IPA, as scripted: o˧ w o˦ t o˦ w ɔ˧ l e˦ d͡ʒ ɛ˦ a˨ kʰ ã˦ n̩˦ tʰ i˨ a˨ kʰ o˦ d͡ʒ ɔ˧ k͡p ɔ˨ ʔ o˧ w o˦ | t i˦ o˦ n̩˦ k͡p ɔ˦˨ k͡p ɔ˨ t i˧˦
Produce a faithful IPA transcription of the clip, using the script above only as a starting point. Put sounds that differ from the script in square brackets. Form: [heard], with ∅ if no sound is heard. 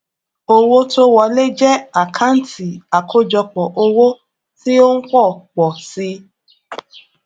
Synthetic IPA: o˧ w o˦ t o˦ w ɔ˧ l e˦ d͡ʒ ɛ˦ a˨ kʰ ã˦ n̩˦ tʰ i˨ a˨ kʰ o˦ d͡ʒ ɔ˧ k͡p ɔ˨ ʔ o˧ w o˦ | t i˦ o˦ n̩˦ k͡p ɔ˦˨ k͡p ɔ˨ [s] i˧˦